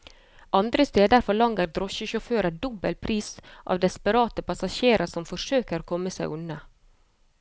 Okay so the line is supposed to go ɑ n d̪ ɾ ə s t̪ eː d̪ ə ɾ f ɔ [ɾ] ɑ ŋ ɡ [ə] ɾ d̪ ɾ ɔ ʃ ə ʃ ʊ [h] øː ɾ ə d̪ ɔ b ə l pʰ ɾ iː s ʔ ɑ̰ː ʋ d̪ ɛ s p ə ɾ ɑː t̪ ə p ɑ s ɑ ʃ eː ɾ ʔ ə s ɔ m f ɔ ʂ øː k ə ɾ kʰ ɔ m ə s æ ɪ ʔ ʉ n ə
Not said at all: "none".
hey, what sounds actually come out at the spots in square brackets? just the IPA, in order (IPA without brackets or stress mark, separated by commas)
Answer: ɭ, ə, f